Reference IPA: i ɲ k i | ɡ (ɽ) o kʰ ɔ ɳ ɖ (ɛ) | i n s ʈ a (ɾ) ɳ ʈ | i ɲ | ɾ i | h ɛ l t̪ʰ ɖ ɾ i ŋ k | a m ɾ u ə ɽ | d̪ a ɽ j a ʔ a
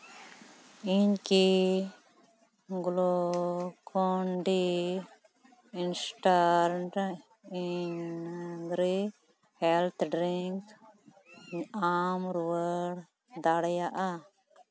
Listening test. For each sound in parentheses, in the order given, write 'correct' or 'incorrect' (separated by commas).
incorrect, incorrect, correct